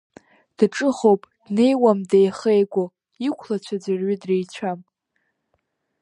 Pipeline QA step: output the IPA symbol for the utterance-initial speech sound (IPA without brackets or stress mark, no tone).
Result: d̥